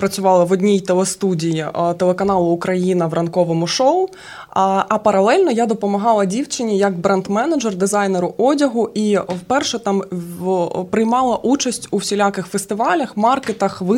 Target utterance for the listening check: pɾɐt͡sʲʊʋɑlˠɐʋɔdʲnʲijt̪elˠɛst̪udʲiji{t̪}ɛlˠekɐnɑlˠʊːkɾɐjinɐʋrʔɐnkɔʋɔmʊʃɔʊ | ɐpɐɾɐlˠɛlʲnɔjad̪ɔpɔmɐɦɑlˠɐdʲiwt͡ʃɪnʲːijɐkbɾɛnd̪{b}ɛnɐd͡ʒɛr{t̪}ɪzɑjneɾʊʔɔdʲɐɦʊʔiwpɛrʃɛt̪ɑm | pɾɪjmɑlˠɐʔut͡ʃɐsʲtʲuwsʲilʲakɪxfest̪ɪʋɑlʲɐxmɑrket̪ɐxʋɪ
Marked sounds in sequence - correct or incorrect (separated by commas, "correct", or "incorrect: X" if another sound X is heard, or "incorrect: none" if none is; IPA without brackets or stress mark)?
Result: correct, incorrect: m, incorrect: d̪